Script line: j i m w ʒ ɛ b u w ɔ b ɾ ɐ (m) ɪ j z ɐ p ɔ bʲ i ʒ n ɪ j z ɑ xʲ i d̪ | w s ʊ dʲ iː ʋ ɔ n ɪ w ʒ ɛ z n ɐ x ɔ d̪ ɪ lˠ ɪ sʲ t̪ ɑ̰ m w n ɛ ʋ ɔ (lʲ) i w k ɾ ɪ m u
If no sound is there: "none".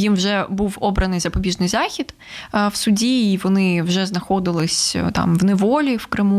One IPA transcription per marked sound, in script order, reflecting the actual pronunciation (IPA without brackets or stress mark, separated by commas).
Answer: n, lʲ